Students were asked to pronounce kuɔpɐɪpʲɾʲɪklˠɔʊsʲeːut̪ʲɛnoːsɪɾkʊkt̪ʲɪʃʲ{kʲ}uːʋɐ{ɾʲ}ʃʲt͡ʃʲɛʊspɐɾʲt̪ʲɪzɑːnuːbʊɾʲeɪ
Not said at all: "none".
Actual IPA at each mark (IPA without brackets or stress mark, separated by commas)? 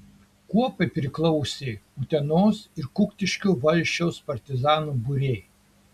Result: kʲ, lʲ